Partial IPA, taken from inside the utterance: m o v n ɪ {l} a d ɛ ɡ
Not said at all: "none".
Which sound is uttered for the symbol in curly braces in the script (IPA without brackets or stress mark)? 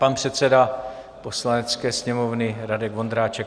ɾ